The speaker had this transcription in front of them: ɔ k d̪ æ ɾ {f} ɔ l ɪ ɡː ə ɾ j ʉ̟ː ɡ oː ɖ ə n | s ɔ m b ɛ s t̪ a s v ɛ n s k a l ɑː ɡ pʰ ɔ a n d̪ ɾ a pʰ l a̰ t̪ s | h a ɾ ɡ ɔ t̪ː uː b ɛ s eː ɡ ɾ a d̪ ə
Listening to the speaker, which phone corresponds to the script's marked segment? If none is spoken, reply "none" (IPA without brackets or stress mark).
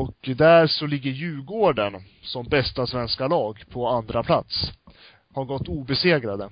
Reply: ʂ